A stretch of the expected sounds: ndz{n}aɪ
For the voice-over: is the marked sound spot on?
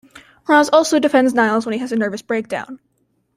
yes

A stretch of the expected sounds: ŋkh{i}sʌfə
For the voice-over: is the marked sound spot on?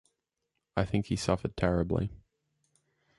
yes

